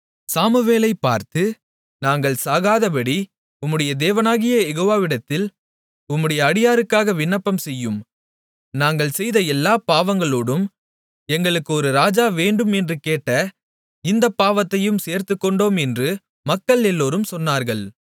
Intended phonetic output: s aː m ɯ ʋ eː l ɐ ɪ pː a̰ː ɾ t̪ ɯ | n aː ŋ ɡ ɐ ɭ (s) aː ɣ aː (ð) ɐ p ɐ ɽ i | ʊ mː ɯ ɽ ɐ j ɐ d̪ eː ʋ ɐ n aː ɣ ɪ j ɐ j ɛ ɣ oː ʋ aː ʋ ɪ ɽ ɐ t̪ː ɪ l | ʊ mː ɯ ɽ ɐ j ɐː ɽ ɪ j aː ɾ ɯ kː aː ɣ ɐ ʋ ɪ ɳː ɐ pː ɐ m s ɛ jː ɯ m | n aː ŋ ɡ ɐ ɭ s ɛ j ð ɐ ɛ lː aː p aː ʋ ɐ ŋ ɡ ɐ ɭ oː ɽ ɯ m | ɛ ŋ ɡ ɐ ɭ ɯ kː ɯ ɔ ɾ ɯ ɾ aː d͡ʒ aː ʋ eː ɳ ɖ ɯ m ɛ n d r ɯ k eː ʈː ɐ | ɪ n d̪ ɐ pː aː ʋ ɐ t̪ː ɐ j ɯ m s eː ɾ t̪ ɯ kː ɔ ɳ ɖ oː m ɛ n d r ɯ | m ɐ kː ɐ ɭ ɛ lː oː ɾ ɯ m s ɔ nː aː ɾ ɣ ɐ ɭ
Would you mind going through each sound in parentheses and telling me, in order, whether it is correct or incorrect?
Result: correct, correct

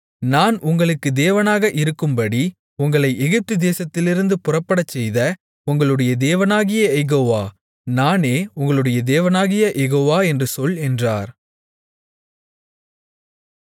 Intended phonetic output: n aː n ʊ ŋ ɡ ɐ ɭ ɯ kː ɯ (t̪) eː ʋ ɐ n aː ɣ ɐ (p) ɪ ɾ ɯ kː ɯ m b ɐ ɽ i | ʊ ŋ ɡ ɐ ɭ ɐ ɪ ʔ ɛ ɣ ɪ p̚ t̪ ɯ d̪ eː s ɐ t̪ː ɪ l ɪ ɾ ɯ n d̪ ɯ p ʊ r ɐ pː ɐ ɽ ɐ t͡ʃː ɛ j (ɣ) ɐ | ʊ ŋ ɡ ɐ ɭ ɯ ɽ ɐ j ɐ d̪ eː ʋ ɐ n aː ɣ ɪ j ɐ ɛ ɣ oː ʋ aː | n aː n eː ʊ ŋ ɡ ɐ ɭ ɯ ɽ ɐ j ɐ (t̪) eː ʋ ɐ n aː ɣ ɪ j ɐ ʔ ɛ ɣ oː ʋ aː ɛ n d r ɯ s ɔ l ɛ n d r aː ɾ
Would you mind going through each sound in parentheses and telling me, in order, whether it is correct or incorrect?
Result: incorrect: d̪, incorrect: ʔ, incorrect: ð, incorrect: d̪

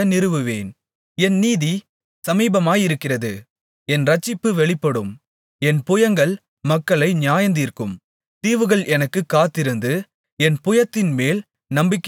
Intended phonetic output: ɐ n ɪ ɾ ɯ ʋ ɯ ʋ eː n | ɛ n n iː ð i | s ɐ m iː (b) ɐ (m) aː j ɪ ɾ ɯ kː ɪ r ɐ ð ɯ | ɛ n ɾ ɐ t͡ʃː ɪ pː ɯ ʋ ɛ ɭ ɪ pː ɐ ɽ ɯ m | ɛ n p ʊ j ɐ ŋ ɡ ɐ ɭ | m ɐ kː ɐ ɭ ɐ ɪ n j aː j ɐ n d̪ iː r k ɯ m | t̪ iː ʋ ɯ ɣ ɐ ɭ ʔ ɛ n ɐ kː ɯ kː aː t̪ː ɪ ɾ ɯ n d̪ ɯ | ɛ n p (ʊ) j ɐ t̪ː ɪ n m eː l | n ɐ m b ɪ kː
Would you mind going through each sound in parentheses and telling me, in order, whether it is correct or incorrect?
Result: correct, correct, correct

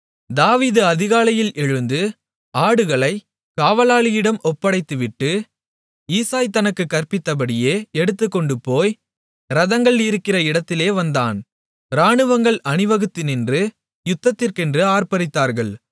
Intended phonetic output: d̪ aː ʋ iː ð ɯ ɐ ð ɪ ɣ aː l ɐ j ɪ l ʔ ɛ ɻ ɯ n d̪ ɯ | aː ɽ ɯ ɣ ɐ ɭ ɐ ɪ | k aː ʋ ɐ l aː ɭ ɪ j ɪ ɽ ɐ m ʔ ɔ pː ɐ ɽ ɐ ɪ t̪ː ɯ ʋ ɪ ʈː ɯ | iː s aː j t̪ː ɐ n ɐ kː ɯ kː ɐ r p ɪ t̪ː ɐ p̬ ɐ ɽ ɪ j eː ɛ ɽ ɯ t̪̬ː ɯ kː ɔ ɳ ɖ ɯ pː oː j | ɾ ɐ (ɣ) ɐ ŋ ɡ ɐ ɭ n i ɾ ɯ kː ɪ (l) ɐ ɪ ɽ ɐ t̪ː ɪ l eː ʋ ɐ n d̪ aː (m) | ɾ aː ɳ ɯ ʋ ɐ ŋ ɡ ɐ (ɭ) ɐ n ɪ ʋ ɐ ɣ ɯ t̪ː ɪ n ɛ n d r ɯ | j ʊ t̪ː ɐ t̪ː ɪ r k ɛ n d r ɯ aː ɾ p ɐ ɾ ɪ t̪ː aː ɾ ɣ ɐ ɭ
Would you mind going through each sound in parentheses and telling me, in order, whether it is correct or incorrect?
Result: incorrect: ð, incorrect: r, incorrect: n, correct

